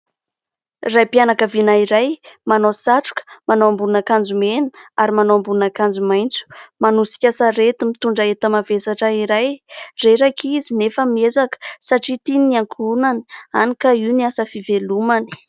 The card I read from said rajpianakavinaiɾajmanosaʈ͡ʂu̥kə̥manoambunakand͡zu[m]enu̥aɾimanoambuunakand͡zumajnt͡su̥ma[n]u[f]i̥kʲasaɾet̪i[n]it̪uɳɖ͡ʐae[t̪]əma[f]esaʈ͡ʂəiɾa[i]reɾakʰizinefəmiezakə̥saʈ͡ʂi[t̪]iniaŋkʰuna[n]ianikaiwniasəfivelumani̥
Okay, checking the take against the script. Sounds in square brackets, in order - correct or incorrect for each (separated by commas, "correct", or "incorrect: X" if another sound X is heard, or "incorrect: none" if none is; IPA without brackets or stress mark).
correct, correct, incorrect: s, incorrect: m, correct, incorrect: v, incorrect: j, correct, correct